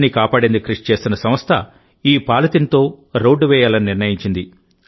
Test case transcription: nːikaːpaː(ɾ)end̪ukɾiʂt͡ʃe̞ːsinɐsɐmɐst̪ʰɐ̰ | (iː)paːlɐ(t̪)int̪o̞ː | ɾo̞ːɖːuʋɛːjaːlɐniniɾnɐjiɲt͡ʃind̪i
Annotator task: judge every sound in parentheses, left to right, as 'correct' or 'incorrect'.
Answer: incorrect, correct, correct

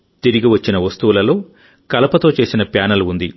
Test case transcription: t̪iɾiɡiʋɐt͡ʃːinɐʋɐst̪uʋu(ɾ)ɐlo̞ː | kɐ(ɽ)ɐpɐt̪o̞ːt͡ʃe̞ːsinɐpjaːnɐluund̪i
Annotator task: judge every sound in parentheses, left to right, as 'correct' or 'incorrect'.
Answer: incorrect, incorrect

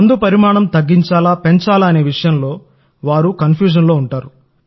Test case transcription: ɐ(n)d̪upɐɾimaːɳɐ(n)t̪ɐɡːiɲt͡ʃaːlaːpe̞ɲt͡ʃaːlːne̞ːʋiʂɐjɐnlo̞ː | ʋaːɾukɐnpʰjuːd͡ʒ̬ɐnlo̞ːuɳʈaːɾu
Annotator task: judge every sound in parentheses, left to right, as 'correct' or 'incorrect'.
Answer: correct, incorrect

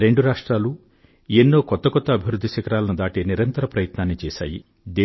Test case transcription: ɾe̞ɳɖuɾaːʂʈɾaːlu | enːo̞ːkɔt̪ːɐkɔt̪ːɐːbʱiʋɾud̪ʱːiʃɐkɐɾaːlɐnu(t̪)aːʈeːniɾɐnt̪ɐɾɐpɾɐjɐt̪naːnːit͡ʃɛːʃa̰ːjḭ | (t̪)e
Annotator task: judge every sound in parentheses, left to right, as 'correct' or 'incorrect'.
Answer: incorrect, incorrect

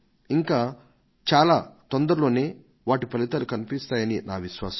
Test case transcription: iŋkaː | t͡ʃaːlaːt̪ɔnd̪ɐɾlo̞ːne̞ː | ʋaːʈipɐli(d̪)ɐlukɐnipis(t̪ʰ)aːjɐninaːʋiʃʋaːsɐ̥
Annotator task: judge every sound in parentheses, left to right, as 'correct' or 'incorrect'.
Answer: incorrect, incorrect

